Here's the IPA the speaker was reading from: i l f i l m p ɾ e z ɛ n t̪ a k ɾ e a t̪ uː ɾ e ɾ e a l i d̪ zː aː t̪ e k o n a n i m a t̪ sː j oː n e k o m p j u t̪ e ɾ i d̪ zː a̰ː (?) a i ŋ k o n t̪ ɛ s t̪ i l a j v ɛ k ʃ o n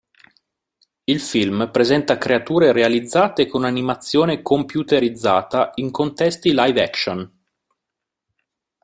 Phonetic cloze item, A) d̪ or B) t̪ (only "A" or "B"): B